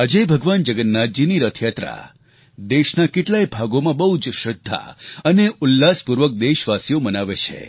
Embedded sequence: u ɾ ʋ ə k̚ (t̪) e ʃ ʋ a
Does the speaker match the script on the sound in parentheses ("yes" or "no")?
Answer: no